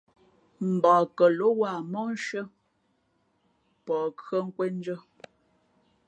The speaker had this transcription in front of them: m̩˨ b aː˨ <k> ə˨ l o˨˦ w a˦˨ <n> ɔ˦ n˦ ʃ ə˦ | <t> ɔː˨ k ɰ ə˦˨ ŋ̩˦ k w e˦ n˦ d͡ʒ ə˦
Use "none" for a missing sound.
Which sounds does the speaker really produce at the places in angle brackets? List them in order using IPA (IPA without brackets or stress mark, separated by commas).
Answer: k, m, p